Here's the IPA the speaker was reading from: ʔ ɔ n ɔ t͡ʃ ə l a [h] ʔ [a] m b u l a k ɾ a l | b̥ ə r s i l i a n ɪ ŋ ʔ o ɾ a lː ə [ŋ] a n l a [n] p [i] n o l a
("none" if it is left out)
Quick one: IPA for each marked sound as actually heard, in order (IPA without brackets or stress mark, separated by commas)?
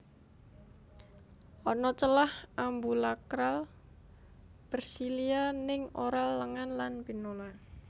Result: h, a, ŋ, n, i